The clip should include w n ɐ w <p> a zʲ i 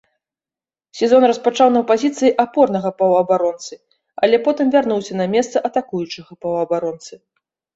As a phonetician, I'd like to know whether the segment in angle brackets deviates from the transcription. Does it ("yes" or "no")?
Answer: no